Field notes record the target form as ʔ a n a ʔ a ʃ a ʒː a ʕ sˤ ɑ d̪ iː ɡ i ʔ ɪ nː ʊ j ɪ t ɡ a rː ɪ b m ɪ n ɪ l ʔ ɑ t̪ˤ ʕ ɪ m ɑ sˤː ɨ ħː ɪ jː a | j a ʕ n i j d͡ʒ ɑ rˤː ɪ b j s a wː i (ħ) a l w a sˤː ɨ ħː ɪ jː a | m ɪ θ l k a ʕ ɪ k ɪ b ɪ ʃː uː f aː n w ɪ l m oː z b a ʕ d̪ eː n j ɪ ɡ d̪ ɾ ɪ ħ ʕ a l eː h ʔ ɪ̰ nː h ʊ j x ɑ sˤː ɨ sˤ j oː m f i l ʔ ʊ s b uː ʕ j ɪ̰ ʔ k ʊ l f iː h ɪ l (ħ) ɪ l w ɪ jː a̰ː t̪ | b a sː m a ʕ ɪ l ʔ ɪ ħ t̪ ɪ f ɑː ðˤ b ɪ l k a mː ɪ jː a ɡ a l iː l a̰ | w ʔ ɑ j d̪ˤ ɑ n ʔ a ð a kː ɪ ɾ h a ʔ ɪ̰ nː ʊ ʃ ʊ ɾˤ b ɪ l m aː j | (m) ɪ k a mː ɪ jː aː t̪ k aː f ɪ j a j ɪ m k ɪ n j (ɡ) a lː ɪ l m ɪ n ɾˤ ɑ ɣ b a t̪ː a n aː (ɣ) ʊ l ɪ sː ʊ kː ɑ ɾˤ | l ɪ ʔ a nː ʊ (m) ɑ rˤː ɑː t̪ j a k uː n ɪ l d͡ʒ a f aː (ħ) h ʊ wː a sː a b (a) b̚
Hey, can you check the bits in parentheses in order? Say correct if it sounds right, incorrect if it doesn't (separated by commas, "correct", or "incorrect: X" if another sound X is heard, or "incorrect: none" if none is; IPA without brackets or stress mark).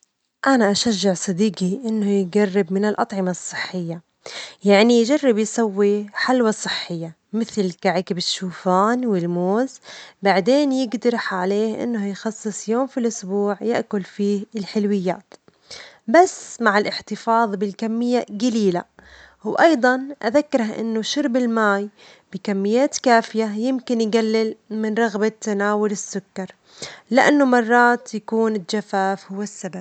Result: correct, correct, incorrect: b, correct, incorrect: w, correct, incorrect: f, correct